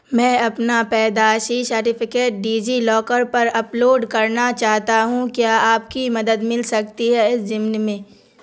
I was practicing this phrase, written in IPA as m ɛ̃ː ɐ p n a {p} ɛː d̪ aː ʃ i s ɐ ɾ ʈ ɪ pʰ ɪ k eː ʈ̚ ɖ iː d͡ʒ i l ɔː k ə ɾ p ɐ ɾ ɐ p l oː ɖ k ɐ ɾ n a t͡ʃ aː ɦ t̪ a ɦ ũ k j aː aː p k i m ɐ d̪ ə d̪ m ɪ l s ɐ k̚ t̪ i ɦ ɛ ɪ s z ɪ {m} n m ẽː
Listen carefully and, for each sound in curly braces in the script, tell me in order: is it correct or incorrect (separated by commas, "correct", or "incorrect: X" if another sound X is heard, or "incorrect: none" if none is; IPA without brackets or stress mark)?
correct, correct